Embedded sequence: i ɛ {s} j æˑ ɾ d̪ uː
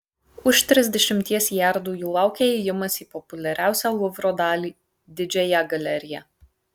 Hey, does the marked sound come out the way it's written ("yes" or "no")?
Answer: yes